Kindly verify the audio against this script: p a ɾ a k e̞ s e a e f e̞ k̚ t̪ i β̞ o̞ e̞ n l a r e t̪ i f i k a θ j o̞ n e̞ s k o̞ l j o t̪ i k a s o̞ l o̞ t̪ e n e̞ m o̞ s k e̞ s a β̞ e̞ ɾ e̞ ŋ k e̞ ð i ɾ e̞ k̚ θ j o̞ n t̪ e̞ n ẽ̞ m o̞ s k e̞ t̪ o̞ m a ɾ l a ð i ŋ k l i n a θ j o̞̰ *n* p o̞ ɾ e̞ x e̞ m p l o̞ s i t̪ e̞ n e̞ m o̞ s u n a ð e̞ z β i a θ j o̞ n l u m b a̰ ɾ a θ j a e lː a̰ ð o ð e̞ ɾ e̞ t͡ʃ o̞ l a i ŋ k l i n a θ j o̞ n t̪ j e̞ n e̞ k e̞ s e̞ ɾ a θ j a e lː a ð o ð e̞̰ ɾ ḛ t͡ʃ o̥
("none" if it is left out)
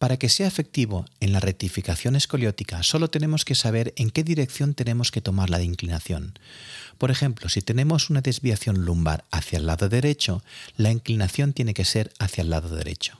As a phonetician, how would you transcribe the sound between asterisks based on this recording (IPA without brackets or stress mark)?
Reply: n